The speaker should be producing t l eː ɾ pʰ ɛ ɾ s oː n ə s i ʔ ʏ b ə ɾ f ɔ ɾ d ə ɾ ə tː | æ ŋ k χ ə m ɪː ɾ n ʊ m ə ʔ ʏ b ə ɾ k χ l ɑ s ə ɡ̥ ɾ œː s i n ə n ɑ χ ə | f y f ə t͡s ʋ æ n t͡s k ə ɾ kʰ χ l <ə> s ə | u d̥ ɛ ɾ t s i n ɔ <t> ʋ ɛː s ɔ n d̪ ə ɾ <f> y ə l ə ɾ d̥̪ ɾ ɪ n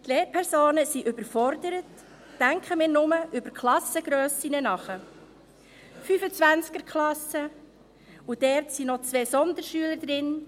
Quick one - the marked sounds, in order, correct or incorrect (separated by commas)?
incorrect, incorrect, incorrect